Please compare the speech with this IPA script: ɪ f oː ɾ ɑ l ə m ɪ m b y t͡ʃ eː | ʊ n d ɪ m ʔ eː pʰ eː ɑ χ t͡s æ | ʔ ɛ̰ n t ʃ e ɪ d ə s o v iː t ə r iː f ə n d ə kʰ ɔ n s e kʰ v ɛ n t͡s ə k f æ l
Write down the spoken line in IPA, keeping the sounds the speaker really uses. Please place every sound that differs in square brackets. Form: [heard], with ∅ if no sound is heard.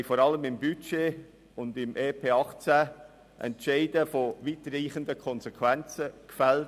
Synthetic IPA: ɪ f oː ɾ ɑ l ə m ɪ m b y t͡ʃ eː | ʊ n d ɪ m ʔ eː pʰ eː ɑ χ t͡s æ | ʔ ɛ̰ n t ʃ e ɪ d ə [f] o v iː t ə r iː [χ] ə n d ə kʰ ɔ n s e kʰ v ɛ n t͡s ə k f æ l